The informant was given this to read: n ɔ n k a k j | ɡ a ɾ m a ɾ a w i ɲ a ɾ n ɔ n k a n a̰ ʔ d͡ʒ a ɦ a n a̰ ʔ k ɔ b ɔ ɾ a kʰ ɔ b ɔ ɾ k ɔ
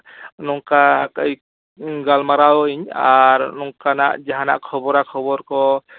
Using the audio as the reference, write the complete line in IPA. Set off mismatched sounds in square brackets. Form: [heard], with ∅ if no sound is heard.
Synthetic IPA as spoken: n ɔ [ŋ] k a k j | ɡ a [l] m a ɾ a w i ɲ a ɾ n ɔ [ŋ] k a n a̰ ʔ d͡ʒ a ɦ a n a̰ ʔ [kʰ] ɔ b ɔ ɾ a kʰ ɔ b ɔ ɾ k ɔ